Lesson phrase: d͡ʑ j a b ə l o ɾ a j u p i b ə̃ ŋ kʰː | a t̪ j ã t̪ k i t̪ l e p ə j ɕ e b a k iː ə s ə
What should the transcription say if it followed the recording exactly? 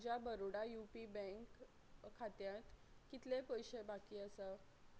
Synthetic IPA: d͡ʑ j a b ə ɾ o ɽ a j u p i b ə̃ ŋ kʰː | a t̪ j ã t̪ k i t̪ l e p ə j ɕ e b a k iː ə s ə